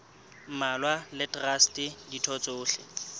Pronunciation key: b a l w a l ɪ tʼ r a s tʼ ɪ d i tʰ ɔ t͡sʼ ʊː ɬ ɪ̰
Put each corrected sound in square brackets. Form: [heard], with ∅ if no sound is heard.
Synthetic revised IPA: [m] a l w a l ɪ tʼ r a s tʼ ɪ d i tʰ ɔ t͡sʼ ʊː ɬ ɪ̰